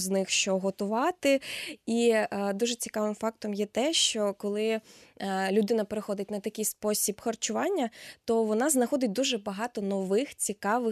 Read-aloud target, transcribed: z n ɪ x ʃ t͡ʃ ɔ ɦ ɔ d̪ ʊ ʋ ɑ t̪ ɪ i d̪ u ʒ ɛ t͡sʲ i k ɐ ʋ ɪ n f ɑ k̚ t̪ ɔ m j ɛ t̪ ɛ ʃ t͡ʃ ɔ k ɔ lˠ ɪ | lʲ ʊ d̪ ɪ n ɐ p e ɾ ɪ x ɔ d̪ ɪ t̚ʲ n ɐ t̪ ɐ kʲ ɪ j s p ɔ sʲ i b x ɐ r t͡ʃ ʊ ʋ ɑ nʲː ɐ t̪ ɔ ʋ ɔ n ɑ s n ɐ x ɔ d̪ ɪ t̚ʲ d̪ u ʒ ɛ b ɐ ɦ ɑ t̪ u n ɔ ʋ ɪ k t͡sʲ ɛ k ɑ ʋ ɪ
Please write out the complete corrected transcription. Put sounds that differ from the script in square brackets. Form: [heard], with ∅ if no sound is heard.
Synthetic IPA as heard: z n ɪ x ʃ t͡ʃ ɔ ɦ ɔ [t̪] ʊ ʋ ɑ t̪ ɪ i d̪ u ʒ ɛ t͡sʲ i k [ɑ] ʋ ɪ [m] f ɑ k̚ t̪ ɔ m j ɛ t̪ ɛ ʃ t͡ʃ ɔ k ɔ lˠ ɪ | lʲ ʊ d̪ ɪ n ɐ p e ɾ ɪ x ɔ d̪ ɪ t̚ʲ n ɐ t̪ ɐ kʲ ɪ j s p ɔ sʲ i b x ɐ r t͡ʃ ʊ ʋ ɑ nʲː ɐ t̪ ɔ ʋ ɔ n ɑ [z] n ɐ x ɔ d̪ ɪ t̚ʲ d̪ u ʒ ɛ b ɐ ɦ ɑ t̪ [ɔ] n ɔ ʋ ɪ [x] t͡sʲ [i] k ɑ ʋ ɪ